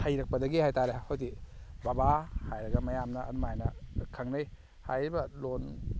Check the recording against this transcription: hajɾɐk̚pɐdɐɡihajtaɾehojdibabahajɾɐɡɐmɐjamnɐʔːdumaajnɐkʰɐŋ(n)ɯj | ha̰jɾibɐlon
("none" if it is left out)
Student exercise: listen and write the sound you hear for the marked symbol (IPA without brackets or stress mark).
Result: n